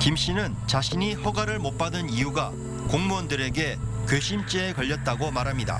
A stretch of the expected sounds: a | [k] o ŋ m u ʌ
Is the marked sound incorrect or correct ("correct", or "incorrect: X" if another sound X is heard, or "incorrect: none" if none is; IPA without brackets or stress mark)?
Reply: correct